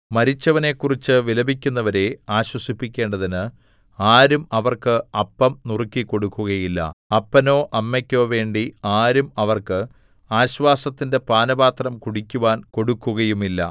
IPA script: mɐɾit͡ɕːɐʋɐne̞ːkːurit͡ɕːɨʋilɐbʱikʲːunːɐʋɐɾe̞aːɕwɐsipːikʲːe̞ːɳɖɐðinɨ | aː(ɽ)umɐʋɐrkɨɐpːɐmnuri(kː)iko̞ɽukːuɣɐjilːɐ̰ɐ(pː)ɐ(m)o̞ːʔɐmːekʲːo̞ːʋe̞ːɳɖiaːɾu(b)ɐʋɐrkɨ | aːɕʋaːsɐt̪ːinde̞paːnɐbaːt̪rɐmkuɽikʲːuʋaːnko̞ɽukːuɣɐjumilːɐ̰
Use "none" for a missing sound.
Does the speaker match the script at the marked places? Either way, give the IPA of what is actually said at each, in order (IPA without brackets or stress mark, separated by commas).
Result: ɾ, kː, pː, n, m